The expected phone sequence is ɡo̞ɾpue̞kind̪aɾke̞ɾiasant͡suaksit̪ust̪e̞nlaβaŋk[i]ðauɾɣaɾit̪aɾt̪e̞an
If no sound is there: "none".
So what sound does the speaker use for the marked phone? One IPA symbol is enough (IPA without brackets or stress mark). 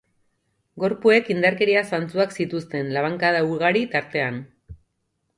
a